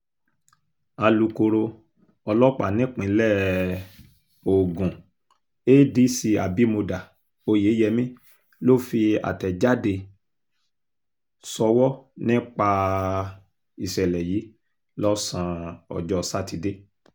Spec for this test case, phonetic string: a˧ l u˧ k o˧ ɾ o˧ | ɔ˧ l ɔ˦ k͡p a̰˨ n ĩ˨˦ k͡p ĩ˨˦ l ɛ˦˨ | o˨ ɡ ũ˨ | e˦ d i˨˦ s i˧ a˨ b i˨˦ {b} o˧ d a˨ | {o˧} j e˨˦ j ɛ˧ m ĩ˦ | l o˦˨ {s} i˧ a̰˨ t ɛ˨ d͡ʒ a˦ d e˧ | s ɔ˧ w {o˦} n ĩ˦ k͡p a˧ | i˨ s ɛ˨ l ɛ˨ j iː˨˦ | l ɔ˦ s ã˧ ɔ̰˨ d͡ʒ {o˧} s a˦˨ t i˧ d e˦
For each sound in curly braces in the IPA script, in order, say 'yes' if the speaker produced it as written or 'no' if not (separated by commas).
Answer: no, yes, no, no, no